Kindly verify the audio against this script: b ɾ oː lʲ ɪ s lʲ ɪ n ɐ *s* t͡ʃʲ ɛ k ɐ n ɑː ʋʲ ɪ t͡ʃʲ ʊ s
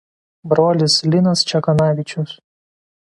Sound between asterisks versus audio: correct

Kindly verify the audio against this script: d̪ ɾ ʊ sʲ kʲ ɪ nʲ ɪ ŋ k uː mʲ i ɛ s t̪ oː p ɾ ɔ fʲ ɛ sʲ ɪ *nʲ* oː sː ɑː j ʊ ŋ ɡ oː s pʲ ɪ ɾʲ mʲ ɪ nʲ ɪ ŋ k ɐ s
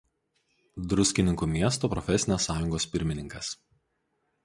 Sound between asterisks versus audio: correct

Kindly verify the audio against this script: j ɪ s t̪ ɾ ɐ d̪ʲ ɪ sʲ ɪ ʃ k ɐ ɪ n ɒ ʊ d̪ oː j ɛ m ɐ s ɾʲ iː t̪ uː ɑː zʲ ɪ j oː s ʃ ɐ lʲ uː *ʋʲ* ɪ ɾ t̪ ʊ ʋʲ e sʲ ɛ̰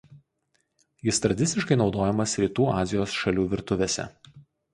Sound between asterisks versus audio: correct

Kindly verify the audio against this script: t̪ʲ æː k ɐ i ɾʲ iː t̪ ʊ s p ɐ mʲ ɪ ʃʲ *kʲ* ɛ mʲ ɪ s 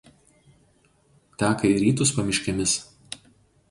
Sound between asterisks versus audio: correct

